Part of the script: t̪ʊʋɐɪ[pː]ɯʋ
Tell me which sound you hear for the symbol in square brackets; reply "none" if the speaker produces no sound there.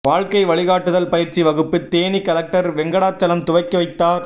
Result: kː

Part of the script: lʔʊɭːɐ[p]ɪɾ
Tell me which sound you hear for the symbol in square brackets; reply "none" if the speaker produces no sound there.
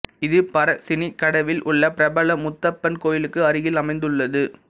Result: p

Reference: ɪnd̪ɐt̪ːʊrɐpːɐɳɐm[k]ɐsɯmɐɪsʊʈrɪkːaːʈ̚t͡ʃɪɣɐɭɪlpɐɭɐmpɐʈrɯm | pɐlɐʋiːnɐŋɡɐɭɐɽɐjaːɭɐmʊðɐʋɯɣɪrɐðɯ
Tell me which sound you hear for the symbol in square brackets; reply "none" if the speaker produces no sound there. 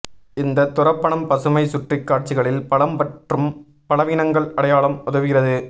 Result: p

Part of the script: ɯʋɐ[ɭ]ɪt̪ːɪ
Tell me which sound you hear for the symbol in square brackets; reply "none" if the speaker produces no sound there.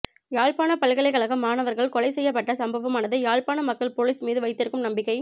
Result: none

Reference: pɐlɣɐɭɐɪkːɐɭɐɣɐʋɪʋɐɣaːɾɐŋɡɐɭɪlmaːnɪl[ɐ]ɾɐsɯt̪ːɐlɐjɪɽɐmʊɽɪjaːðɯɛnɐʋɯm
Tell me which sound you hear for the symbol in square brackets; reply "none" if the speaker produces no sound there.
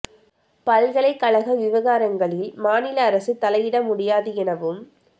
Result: ɐː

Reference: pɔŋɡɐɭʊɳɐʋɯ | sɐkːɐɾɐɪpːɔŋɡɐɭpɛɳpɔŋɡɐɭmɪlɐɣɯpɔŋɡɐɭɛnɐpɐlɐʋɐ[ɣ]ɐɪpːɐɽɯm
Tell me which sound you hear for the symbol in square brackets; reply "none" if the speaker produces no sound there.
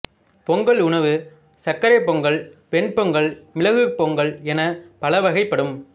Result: ɣ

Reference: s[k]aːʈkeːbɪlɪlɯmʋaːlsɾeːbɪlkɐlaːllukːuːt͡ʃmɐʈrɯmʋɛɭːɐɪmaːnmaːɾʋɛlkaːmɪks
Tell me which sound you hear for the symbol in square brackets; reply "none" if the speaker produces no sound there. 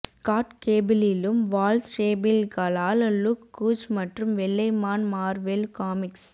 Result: k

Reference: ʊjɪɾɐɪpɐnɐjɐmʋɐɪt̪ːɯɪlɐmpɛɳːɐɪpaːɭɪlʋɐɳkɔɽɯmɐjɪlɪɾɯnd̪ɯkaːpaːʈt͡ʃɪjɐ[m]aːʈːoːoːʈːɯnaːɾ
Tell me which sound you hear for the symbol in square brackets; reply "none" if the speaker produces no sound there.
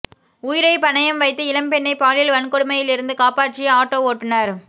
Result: none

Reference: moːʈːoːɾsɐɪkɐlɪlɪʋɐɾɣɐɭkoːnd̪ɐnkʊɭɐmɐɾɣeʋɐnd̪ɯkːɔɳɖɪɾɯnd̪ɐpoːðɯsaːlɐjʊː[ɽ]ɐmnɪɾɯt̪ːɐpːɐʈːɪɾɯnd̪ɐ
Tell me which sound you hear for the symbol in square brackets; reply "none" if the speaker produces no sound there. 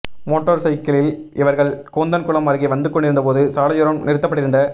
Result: ɾ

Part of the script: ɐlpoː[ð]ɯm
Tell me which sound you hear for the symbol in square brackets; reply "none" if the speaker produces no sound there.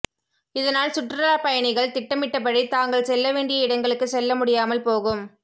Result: ɣ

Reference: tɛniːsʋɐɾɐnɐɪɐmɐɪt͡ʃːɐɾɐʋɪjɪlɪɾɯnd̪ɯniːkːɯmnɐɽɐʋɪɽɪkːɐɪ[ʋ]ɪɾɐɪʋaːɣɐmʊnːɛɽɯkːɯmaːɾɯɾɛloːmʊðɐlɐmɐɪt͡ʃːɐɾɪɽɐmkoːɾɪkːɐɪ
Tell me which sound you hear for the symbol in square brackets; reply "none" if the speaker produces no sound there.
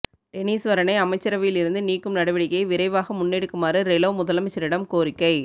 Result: ʋ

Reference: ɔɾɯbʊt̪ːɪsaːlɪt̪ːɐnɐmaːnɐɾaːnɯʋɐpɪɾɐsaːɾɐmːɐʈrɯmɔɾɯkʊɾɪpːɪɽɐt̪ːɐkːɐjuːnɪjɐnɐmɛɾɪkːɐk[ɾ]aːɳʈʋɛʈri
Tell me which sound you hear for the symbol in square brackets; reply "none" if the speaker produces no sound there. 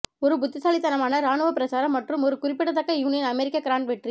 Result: ɾ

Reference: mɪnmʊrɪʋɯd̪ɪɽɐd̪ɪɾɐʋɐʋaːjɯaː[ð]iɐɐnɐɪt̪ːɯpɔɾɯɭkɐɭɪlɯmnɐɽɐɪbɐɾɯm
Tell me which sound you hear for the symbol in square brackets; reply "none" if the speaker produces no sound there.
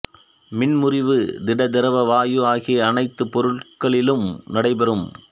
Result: ɣ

